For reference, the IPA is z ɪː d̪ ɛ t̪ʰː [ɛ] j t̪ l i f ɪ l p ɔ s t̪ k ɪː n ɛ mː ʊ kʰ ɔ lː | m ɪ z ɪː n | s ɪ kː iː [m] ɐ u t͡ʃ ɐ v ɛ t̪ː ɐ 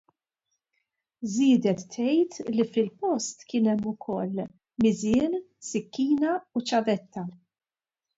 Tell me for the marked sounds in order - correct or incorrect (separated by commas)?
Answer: correct, incorrect